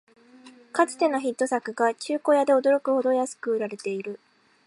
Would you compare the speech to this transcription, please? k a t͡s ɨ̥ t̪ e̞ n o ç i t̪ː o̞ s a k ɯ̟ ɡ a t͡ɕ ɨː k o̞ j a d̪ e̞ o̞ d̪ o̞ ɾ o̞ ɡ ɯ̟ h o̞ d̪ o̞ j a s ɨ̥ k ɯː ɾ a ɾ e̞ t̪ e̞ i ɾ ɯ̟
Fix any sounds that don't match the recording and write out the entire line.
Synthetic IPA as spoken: k a t͡s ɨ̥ t̪ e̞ n o ç i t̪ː o̞ s a k ɯ̟ ɡ a t͡ɕ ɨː k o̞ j a d̪ e̞ o̞ d̪ o̞ ɾ o̞ k ɯ̟ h o̞ d̪ o̞ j a s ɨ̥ k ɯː ɾ a ɾ e̞ t̪ e̞ i ɾ ɯ̟